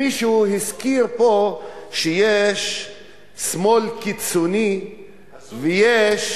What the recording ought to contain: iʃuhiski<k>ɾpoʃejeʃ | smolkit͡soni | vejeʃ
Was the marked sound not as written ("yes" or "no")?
yes